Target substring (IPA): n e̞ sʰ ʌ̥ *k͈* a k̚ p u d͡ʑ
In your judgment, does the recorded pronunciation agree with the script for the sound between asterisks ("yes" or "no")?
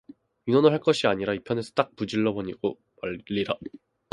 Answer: no